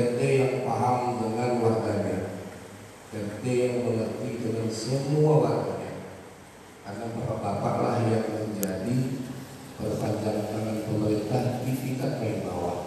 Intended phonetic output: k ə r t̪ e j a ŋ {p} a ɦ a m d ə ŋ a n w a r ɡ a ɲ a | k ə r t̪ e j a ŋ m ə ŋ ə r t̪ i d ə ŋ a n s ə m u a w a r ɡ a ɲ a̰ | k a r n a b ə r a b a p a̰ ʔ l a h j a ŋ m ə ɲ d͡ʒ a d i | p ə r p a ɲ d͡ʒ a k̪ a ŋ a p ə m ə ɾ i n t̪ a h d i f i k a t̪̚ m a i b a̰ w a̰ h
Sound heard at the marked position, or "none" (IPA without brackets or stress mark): p